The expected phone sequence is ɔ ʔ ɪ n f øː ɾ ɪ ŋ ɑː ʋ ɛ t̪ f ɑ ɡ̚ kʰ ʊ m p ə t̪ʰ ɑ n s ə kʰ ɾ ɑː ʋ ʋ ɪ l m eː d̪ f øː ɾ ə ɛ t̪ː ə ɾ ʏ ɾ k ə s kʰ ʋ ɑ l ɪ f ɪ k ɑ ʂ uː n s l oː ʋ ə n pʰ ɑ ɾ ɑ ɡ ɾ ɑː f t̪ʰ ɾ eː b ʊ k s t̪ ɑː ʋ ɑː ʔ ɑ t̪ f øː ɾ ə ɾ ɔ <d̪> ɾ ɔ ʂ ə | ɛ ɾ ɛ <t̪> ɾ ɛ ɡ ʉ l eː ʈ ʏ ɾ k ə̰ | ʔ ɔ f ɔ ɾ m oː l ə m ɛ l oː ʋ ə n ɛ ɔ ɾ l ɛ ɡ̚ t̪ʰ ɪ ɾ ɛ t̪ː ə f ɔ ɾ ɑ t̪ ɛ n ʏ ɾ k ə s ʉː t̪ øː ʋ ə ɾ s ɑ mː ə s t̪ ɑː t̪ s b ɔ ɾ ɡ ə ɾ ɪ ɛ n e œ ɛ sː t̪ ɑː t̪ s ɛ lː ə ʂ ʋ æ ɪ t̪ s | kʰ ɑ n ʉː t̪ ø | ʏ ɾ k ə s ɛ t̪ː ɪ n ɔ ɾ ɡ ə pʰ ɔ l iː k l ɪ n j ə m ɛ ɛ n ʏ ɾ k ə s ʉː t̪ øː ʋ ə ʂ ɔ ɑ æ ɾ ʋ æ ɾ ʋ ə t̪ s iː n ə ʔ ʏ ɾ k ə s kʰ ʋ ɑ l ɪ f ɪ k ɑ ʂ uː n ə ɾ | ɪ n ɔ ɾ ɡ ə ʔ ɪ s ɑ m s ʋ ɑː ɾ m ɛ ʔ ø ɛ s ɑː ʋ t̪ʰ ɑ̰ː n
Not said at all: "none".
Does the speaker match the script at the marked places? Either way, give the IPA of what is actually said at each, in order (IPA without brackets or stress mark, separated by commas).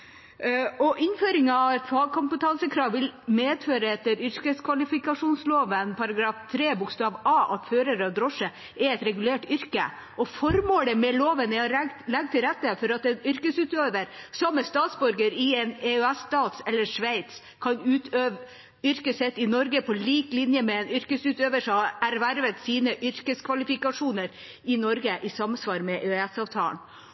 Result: d̪, t̪